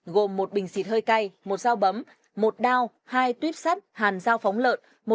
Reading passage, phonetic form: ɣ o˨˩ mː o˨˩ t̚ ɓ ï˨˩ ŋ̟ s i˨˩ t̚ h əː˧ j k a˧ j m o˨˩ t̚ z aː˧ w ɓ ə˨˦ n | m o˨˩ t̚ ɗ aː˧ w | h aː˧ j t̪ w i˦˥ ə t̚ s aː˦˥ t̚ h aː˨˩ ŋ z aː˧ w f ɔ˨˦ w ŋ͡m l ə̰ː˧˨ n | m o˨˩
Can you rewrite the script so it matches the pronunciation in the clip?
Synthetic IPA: ɣ o˨˩ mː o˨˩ t̚ ɓ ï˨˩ ŋ̟ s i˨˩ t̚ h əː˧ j k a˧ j m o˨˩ t̚ z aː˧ w ɓ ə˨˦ m | m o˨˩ t̚ ɗ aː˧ w | h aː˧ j t̪ w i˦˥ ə p̚ s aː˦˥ t̚ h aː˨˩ n z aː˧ w f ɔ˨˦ w ŋ͡m l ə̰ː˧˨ n | m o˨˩